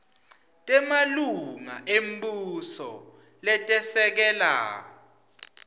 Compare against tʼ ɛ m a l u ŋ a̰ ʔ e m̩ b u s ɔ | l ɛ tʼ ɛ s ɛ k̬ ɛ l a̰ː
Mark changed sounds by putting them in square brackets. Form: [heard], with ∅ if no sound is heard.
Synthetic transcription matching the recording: tʼ ɛ m a l u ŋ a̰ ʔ e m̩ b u s ɔ | l ɛ tʼ ɛ s ɛ k̬ ɛ l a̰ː